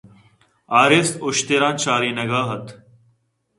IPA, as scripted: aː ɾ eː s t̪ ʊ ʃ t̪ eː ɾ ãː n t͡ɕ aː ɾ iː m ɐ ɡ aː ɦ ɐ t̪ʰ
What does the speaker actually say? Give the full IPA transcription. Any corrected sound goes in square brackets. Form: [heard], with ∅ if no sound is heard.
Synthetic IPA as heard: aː ɾ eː s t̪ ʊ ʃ t̪ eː ɾ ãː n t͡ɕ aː ɾ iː [n] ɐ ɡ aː ɦ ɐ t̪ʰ